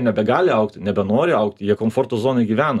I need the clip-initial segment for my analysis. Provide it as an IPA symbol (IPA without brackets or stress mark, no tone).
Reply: nʲ